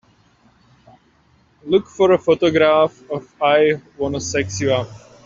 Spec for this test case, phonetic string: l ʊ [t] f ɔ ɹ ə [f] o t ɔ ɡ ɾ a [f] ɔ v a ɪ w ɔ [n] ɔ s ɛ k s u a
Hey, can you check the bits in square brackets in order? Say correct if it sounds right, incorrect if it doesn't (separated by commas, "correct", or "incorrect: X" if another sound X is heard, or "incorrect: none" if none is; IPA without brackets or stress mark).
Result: incorrect: k, correct, correct, correct